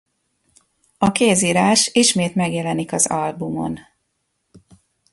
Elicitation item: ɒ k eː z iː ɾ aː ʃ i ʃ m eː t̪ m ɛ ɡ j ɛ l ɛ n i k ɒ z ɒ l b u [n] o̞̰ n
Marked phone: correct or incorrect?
incorrect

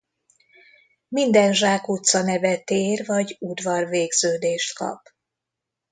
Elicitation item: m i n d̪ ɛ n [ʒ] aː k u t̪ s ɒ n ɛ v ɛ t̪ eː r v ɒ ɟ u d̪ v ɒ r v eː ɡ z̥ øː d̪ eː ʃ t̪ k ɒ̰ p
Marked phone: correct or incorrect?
correct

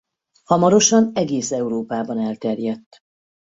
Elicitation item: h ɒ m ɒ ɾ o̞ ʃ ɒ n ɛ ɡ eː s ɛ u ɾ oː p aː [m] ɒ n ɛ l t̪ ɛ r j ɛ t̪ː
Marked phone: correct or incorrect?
incorrect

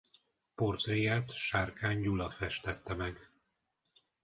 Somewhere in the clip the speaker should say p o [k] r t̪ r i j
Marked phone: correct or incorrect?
incorrect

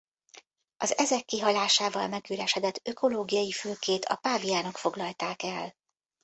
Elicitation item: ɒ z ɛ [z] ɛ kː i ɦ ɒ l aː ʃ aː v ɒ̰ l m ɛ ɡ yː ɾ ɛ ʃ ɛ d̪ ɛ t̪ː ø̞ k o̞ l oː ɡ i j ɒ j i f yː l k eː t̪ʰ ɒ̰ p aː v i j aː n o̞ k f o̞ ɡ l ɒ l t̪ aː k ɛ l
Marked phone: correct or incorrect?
correct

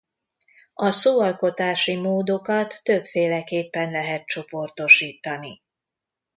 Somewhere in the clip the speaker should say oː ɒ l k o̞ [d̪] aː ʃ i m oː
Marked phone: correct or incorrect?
incorrect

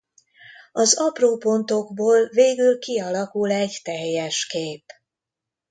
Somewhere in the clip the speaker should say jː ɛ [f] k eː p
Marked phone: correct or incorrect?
incorrect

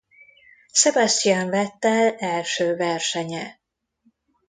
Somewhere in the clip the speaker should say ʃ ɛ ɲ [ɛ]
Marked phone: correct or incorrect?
correct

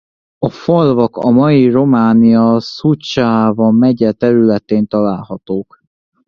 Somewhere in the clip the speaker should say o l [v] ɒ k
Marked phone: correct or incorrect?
correct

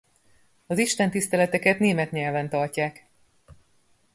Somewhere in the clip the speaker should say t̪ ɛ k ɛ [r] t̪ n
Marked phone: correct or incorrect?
incorrect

